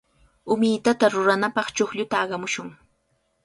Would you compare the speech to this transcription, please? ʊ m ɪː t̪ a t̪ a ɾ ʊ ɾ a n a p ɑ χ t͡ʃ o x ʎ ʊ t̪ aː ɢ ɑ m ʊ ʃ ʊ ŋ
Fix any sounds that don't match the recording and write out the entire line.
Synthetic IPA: ʊ m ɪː t̪ a t̪ a ɾ ʊ ɾ a n a p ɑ χ t͡ʃ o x ʎ ʊ t̪ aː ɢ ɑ m ʊ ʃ ʊ ŋ

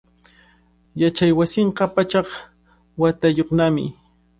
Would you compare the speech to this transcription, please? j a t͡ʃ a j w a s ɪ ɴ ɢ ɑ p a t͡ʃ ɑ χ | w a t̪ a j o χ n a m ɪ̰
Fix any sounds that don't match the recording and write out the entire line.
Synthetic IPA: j a t͡ʃ a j w a s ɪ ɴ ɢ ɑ p a t͡ʃ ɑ χ | w a t̪ a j o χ n a m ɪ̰

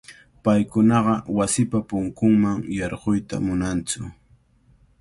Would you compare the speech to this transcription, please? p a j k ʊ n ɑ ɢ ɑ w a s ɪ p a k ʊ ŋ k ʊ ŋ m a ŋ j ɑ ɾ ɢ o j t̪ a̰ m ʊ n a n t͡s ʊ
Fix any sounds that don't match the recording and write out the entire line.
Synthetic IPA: p a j k ʊ n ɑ ɢ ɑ w a s ɪ p a p ʊ ŋ k ʊ ŋ m a ŋ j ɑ ɾ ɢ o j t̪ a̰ m ʊ n a n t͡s ʊ

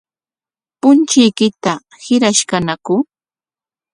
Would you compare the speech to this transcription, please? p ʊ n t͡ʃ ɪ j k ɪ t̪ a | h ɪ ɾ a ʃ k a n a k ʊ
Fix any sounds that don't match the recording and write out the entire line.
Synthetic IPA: p ʊ n t͡ʃ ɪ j k ɪ t̪ a | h ɪ ɾ a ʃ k a n a k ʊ

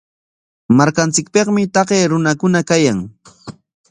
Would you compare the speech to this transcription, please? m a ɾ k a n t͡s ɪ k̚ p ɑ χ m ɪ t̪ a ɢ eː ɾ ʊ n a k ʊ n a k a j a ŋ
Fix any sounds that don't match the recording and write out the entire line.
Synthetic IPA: m a ɾ k a n t͡s ɪ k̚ p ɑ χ m ɪ t̪ ɑ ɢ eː ɾ ʊ n a k ʊ n a k a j a ŋ

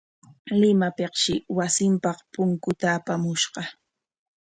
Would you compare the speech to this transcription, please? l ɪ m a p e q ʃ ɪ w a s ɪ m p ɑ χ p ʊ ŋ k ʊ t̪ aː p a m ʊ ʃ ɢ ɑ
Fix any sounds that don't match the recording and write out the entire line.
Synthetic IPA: l ɪ m a p e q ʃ ɪ w a s ɪ m p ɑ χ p ʊ ŋ k ʊ t̪ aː p a m ʊ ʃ ɢ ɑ

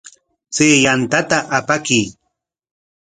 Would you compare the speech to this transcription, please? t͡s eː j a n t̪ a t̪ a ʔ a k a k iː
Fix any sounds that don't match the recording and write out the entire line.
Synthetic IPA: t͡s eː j a n t̪ a t̪ a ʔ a p a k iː

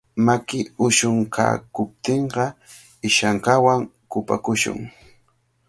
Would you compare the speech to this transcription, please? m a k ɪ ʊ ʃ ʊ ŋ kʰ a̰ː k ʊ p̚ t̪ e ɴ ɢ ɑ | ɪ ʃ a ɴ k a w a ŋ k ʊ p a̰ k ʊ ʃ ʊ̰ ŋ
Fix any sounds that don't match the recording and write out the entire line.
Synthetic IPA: m a k ɪ ʊ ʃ ʊ ŋ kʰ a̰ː k ʊ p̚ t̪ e ɴ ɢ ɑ | ɪ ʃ a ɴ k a w a ŋ k ʊ p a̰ k ʊ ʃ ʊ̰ ŋ

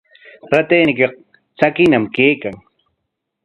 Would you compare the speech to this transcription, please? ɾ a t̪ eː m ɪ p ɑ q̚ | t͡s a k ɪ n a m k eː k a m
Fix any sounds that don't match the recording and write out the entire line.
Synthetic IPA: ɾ a t̪ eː n ɪ k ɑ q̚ | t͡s a k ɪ n a m k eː k a ŋ

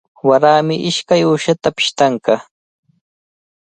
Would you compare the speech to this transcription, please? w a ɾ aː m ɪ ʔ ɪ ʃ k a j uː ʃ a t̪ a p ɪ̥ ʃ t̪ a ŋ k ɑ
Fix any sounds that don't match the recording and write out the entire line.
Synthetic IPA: w a ɾ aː m ɪ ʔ ɪ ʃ k a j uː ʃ a t̪ a p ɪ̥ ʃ t̪ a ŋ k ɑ

